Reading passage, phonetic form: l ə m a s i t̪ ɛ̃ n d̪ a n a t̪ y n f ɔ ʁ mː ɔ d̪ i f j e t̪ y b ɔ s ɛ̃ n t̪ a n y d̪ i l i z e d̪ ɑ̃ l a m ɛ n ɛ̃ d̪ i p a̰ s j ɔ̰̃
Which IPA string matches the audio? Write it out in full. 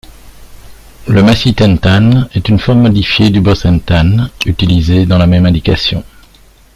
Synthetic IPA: l ə m a s i t̪ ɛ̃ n t̪ a n ɛ t̪ y n f ɔ ʁ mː ɔ d̪ i f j e d̪ y b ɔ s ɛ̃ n t̪ a n y t̪ i l i z e d̪ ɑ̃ l a m ɛ m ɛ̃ d̪ i k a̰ s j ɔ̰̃